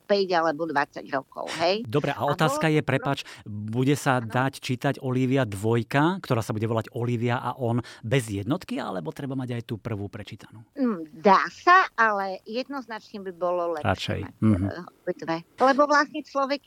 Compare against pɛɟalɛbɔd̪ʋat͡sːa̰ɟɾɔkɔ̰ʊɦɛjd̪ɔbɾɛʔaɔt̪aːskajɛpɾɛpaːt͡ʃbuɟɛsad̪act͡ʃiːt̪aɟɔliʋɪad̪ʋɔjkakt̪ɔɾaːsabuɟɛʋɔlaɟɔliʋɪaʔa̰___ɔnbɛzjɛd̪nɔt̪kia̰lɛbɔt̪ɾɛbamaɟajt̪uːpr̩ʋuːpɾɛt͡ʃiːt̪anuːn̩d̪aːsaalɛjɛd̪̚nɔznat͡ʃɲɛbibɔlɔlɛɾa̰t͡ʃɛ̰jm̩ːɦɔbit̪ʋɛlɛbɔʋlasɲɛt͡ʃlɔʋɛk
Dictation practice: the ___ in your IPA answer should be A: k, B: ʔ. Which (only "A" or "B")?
B